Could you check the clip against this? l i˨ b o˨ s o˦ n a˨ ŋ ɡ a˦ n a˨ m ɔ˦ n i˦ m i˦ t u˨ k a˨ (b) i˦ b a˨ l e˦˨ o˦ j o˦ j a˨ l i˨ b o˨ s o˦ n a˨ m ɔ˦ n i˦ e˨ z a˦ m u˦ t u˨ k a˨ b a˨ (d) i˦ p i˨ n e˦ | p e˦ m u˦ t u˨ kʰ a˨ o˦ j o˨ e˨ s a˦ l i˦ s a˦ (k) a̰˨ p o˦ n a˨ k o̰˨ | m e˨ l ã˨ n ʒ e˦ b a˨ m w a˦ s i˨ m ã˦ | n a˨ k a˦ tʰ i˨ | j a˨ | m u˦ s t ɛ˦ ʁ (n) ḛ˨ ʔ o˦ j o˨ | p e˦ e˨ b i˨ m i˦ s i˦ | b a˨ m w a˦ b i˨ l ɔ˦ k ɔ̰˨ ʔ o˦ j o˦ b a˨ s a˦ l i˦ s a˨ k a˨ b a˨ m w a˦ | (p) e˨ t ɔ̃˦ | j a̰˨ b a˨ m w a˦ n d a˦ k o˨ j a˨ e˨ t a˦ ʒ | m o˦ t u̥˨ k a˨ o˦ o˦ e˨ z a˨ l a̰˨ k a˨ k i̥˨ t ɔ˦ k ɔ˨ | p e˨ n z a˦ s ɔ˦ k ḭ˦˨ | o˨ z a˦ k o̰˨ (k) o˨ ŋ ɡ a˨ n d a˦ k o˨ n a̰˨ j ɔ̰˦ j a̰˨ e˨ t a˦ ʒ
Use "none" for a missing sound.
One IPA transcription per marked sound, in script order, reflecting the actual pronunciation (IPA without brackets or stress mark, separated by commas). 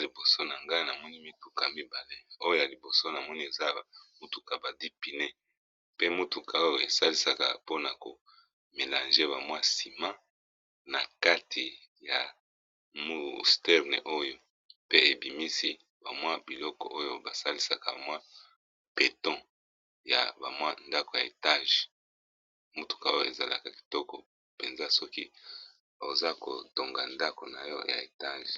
m, d, k, n, p, t